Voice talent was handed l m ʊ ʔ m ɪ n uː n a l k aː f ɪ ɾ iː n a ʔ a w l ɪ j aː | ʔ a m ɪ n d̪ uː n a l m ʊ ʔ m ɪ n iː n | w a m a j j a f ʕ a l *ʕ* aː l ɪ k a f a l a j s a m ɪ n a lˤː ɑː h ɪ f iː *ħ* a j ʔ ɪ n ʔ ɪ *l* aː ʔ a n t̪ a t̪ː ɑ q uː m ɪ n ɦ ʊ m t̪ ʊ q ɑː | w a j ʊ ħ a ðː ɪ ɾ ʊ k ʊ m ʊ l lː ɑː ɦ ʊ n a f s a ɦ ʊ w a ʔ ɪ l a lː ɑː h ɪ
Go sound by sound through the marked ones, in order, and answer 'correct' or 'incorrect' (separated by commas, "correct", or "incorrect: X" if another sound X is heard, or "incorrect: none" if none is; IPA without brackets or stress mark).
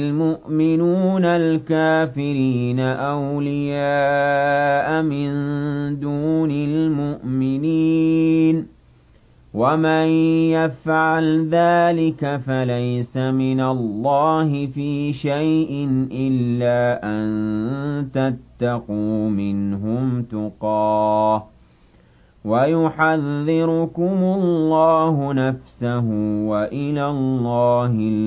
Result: incorrect: ð, incorrect: ʃ, incorrect: lː